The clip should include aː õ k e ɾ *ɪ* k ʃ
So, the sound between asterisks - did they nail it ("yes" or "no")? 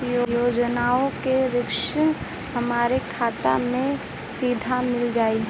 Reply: yes